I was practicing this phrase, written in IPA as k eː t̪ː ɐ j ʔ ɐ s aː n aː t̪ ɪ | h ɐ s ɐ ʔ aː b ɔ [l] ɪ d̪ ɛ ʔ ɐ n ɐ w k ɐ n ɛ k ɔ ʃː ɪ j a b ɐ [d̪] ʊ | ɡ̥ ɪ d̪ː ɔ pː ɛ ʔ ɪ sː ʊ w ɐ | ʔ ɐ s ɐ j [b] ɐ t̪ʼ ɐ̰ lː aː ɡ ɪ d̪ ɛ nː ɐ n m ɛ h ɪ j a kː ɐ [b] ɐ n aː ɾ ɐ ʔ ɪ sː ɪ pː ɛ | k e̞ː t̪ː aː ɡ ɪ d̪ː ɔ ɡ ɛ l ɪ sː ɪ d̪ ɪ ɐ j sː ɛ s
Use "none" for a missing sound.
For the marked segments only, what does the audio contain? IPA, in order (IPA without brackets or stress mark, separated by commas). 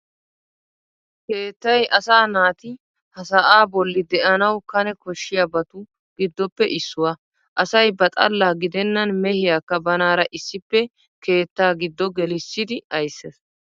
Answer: lː, t̪, b, b